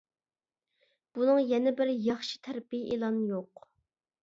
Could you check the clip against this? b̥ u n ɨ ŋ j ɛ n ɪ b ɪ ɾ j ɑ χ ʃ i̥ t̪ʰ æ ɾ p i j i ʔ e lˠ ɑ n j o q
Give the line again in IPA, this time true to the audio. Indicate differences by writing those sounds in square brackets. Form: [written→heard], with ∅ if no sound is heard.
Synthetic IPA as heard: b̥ u n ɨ ŋ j ɛ n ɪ b ɪ ɾ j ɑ χ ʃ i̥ t̪ʰ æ ɾ p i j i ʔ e lˠ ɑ n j o q